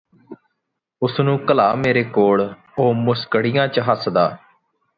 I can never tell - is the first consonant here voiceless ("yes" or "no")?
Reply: yes